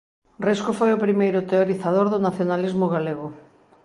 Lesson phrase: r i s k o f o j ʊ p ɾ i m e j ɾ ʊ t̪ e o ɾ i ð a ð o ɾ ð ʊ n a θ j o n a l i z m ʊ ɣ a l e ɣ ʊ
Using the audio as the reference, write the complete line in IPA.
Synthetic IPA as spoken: r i s k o f o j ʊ p ɾ i m e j ɾ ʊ t̪ e o ɾ i θ a ð o ɾ ð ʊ n a θ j o n a l i z m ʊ ɣ a l e ɣ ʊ